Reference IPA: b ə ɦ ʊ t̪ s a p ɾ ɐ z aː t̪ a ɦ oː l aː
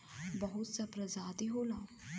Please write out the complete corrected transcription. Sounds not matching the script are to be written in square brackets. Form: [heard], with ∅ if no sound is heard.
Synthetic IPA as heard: b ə ɦ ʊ t̪ s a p ɾ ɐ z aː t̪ [i] ɦ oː l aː

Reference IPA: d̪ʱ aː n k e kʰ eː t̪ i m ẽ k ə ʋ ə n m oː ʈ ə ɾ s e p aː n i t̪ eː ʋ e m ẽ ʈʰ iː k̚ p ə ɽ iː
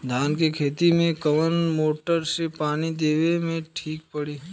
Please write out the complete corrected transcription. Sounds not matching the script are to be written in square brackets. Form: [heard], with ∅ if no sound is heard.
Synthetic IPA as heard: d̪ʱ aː n k e kʰ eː t̪ i m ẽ k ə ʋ ə n m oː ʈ ə ɾ s e p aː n i [d̪] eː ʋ e m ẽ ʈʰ iː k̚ p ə ɽ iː

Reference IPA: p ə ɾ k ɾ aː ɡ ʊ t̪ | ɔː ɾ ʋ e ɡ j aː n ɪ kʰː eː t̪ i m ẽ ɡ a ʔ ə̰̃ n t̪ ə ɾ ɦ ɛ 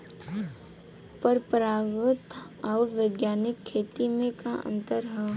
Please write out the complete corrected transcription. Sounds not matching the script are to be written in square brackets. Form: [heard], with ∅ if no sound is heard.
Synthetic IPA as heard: p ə ɾ [p] ɾ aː ɡ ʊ t̪ | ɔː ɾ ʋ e ɡ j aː n ɪ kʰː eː t̪ i m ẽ [k] a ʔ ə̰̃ n t̪ ə ɾ ɦ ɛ

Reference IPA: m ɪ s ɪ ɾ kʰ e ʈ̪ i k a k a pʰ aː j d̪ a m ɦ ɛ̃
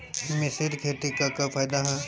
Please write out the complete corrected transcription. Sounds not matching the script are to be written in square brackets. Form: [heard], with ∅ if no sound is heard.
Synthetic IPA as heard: m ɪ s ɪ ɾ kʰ e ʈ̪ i k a k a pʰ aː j d̪ a [∅] ɦ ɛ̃

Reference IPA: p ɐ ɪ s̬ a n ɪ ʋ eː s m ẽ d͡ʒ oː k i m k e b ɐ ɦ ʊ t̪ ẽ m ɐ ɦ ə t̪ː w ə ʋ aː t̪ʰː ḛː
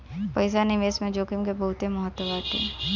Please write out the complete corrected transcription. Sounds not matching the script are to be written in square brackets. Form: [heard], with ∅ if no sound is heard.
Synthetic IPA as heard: p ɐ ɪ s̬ a n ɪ ʋ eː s m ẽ d͡ʒ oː k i m k e b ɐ ɦ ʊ t̪ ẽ m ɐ ɦ ə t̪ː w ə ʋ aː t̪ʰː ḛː

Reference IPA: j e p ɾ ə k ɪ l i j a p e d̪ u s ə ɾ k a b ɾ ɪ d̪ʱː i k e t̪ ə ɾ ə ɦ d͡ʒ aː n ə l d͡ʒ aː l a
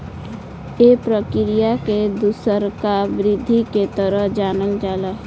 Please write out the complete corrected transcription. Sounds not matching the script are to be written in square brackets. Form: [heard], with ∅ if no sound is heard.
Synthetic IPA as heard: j e p ɾ ə k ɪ [ɾ] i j a [k] e d̪ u s ə ɾ k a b ɾ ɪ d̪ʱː i k e t̪ ə ɾ ə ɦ d͡ʒ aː n ə l d͡ʒ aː l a

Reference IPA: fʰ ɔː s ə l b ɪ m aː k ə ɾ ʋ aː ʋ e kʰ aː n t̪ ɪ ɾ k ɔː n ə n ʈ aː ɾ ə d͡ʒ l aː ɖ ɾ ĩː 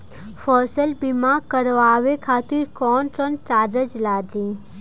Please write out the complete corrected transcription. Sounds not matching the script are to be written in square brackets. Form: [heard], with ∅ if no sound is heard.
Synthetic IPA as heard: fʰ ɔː s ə l b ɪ m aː k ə ɾ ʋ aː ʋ e kʰ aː [∅] t̪ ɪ ɾ k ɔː n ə n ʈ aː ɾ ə d͡ʒ l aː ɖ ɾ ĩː

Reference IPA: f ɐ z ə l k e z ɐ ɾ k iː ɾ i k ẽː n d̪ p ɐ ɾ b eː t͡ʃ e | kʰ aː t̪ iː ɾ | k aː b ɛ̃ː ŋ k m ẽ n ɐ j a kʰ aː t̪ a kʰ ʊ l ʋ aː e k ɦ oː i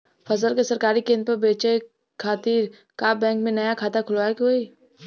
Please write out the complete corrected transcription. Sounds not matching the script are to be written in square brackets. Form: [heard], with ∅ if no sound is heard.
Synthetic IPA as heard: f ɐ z ə l k e [s] ɐ ɾ k [aː] ɾ i k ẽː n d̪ p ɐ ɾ b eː t͡ʃ e | kʰ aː t̪ iː ɾ | k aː b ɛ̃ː ŋ k m ẽ n ɐ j a kʰ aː t̪ a kʰ ʊ l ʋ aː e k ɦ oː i

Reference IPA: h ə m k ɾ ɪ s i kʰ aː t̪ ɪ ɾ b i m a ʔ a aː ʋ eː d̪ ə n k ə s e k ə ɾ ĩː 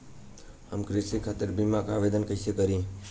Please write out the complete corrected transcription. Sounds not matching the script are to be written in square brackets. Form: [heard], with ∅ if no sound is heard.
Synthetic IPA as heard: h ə m k ɾ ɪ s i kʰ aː t̪ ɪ ɾ b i m a [k] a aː ʋ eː d̪ ə n k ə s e k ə ɾ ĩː

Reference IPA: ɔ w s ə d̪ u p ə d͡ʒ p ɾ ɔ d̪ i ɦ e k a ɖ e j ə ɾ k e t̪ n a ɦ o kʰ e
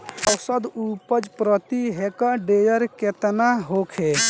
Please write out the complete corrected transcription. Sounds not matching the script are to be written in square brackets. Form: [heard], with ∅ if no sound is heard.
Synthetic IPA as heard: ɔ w s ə d̪ u p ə d͡ʒ p ɾ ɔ [t̪] i ɦ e k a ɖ e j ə ɾ k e t̪ n a ɦ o kʰ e

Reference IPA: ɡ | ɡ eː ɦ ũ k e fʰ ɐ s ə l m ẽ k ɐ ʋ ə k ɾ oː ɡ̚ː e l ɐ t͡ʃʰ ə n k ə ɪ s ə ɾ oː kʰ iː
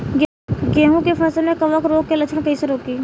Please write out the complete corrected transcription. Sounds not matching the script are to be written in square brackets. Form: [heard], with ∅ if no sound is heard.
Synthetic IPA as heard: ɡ | ɡ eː ɦ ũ k e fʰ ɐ s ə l m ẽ k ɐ ʋ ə k ɾ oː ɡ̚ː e l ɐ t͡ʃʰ ə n k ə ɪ s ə ɾ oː [k] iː

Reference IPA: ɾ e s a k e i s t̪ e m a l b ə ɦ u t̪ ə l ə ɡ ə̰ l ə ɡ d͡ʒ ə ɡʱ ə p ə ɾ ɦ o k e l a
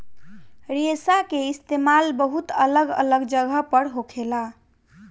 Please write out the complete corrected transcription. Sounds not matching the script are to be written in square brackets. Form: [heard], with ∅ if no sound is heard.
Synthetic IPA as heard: ɾ e s a k e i s t̪ e m a l b ə ɦ u t̪ ə l ə ɡ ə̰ l ə ɡ d͡ʒ ə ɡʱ ə p ə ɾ ɦ o [kʰ] e l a

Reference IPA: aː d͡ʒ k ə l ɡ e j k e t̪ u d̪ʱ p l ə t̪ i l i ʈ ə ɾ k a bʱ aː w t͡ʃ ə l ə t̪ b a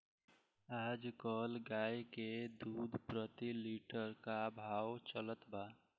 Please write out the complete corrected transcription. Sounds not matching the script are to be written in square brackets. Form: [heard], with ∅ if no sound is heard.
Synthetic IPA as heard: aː d͡ʒ k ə l ɡ [a] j k e [d̪] u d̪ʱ p [ɾ] ə t̪ i l i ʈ ə ɾ k a bʱ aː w t͡ʃ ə l ə t̪ b a

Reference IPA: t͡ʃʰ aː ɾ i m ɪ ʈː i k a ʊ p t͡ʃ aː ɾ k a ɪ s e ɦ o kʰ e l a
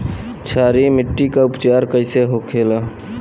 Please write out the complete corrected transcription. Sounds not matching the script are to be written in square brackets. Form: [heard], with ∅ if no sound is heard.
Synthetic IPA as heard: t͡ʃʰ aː ɾ i m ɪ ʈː i k a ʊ p t͡ʃ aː ɾ k [ə] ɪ s e ɦ o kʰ e l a

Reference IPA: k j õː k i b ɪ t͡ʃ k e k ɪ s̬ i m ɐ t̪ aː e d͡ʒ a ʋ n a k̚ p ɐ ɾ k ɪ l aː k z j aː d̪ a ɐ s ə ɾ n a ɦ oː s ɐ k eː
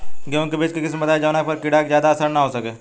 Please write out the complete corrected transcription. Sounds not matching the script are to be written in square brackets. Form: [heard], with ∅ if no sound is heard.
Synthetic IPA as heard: k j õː k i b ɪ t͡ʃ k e k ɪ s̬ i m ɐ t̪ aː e d͡ʒ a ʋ n a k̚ p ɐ ɾ k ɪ [ɽ] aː k z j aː d̪ a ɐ s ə ɾ n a ɦ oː s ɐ k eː

